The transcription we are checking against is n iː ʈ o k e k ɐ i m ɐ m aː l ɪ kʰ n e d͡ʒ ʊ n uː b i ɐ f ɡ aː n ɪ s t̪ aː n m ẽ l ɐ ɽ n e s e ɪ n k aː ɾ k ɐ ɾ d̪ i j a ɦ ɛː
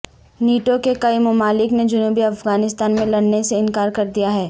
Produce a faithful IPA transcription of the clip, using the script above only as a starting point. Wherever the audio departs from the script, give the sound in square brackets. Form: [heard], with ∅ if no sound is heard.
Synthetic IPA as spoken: n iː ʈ o k e k ɐ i m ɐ m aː l ɪ [k] n e d͡ʒ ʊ n uː b i ɐ f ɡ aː n ɪ s t̪ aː n m ẽ l ɐ ɽ n e s e ɪ n k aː ɾ k ɐ ɾ d̪ i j a ɦ ɛː

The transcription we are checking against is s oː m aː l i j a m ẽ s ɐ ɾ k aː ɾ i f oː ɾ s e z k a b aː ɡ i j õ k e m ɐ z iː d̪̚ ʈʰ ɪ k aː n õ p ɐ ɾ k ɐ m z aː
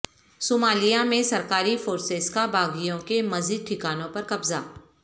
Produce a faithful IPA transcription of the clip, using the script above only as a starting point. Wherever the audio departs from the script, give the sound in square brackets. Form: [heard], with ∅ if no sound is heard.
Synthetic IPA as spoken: s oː m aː l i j a m ẽ s ɐ ɾ k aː ɾ i f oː ɾ s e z k a b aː ɡ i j õ k e m ɐ z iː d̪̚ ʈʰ ɪ k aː n õ p ɐ ɾ k ɐ [b] z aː

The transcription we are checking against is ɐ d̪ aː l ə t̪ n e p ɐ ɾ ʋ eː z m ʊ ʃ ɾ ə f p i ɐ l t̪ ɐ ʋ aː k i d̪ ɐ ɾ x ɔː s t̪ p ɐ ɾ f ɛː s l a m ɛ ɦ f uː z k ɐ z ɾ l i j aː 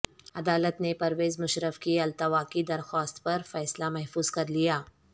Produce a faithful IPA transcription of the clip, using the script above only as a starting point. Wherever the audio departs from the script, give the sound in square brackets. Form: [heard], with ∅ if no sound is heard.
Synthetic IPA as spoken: ɐ d̪ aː l ə t̪ n e p ɐ ɾ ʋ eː z m ʊ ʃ ɾ ə f [k] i ɐ l t̪ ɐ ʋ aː k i d̪ ɐ ɾ x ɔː s t̪ p ɐ ɾ f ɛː s l a m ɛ ɦ f uː z k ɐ [∅] ɾ l i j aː

